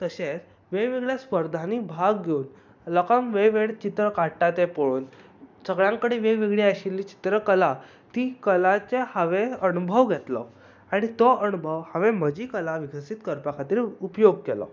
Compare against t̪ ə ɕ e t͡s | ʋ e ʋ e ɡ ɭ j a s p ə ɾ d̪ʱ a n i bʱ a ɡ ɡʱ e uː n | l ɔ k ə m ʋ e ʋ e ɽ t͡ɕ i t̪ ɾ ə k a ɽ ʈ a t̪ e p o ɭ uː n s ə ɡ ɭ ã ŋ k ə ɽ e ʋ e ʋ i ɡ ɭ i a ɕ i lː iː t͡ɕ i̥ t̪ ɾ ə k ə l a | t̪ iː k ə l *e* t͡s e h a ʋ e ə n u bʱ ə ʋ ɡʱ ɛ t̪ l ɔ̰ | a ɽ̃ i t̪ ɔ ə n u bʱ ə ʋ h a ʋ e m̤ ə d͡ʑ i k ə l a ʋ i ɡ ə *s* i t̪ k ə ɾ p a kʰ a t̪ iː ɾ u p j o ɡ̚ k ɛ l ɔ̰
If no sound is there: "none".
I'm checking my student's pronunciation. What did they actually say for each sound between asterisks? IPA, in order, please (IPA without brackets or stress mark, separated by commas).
a, s